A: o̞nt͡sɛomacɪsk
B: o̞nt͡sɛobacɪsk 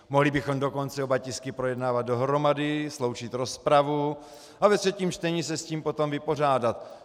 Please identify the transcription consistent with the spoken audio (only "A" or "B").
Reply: B